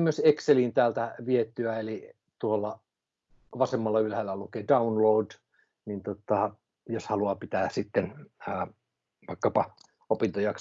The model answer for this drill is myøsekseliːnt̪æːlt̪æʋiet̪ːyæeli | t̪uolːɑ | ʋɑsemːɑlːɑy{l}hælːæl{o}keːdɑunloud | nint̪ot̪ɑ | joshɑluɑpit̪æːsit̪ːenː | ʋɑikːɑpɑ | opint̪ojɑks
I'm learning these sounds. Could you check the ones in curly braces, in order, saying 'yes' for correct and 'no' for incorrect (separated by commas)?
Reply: yes, no